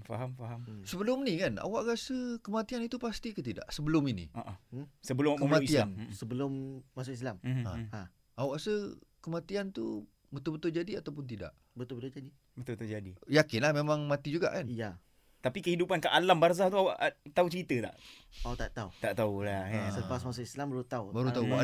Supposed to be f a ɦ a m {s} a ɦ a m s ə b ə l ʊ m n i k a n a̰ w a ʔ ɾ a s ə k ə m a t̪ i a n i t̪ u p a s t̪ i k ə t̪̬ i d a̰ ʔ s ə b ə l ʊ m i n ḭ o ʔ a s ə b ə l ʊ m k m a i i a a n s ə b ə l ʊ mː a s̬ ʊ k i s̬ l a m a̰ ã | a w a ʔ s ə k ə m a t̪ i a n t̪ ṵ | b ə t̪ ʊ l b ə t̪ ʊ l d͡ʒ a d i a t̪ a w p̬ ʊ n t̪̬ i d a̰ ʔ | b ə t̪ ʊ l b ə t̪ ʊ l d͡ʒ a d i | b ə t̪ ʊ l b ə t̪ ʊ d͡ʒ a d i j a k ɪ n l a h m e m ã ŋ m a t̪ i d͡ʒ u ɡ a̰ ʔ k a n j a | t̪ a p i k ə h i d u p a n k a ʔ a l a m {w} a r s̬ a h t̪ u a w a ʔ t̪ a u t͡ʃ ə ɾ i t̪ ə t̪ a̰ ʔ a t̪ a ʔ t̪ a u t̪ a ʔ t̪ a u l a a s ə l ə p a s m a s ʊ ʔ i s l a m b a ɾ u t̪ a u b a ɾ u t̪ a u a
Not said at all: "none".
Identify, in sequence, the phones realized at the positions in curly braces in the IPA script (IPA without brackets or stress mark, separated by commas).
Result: f, b